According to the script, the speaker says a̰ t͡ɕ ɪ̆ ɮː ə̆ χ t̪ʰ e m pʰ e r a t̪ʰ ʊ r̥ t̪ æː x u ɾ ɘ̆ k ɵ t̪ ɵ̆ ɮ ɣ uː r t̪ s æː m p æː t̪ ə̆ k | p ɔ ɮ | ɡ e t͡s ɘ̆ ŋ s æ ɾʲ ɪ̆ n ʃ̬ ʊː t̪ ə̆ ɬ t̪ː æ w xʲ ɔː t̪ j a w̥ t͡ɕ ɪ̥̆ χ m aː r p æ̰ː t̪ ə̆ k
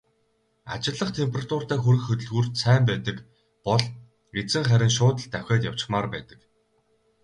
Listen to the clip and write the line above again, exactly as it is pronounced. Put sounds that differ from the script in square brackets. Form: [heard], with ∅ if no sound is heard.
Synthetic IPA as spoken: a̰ t͡ɕ ɪ̆ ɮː ə̆ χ t̪ʰ e m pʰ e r a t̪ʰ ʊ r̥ t̪ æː x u ɾ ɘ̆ [x] ɵ t̪ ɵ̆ ɮ ɣ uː r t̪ s æː m p æː t̪ ə̆ k | p ɔ ɮ | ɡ e t͡s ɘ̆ ŋ [χ] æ ɾʲ ɪ̆ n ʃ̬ ʊː t̪ ə̆ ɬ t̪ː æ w xʲ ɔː t̪ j a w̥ t͡ɕ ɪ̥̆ χ m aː r p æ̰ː t̪ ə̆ k